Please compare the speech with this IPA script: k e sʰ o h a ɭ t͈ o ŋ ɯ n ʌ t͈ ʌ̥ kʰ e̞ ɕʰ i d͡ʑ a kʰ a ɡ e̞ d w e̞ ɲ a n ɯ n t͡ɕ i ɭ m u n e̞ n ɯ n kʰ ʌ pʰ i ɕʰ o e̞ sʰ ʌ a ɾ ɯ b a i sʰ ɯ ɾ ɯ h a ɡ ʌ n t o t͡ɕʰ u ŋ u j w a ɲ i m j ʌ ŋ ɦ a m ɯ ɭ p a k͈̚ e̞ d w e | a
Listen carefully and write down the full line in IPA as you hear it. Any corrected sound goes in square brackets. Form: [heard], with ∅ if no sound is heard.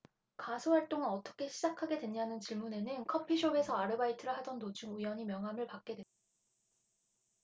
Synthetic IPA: k [a] sʰ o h a ɭ t͈ o ŋ ɯ n ʌ t͈ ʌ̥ kʰ e̞ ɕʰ i d͡ʑ a kʰ a ɡ e̞ d w e̞ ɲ a n ɯ n t͡ɕ i ɭ m u n e̞ n ɯ n kʰ ʌ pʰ i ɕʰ o e̞ sʰ ʌ a ɾ ɯ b a i [tʰ] ɯ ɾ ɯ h a [d] ʌ n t o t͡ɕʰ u ŋ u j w [ʌ] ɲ i m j ʌ ŋ ɦ a m ɯ ɭ p a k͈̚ e̞ d w e | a